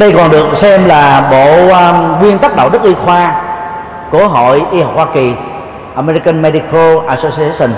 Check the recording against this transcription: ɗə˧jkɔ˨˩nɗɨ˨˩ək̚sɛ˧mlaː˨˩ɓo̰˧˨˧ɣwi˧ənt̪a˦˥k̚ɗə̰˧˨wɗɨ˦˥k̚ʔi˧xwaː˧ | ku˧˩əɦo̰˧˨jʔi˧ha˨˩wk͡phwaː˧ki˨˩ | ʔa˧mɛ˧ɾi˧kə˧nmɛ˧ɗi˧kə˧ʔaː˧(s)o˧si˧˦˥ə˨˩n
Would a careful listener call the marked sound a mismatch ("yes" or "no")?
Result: no